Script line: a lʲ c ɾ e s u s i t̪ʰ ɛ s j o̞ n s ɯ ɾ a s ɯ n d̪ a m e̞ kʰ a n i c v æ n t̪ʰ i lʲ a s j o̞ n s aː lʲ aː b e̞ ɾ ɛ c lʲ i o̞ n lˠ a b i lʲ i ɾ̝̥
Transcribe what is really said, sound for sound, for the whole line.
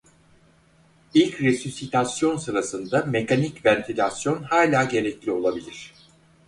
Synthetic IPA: i lʲ c ɾ e s u s i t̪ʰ a s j o̞ n s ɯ ɾ a s ɯ n d̪ a m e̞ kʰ a n i c v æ n t̪ʰ i lʲ a s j o̞ n h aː lʲ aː ɟ e̞ ɾ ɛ c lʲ i o̞ lˠ a b i lʲ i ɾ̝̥